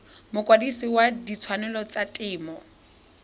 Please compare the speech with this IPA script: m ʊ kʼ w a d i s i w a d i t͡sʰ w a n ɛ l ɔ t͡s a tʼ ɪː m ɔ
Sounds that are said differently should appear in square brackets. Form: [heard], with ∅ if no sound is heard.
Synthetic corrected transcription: m ʊ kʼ w a d i s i w a d i t͡sʰ w a n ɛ l ɔ t͡s a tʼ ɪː m ɔ